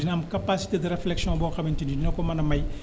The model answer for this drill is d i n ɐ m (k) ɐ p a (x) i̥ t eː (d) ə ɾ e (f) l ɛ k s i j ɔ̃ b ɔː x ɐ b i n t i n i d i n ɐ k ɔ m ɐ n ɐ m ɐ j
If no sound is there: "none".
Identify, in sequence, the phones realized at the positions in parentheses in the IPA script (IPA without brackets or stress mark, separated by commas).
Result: k, s, d, f